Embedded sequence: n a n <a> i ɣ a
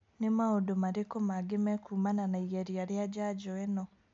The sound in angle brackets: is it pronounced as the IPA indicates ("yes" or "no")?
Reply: yes